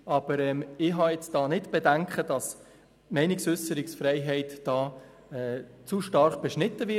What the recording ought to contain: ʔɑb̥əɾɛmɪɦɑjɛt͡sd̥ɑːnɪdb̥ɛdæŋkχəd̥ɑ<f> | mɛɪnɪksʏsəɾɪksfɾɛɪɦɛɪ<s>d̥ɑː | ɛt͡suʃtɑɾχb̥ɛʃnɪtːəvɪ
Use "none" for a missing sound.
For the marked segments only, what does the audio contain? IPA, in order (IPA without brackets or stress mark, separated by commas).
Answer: s, t